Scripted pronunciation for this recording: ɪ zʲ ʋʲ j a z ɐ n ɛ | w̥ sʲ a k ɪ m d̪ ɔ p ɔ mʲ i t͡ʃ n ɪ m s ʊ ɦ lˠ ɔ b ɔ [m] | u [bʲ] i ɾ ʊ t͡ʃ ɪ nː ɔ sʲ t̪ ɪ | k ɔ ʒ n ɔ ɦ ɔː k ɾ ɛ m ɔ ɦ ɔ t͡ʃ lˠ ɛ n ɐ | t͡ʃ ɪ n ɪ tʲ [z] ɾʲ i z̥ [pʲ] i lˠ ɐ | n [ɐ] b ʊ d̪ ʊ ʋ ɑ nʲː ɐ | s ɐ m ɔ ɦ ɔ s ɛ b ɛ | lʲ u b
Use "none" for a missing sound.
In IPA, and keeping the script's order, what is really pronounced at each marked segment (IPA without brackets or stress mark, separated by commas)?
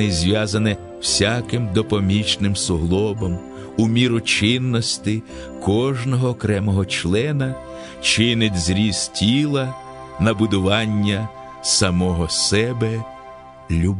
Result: m, mʲ, z, tʲ, ɐ